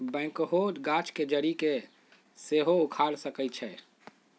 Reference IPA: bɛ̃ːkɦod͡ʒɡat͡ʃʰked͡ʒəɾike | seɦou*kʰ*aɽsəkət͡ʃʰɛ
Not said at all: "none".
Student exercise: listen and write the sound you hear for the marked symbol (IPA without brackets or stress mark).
kʰ